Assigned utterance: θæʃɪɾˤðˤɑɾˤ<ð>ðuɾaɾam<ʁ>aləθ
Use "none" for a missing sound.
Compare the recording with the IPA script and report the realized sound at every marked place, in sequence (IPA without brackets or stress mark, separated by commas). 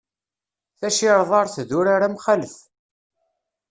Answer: θ, χ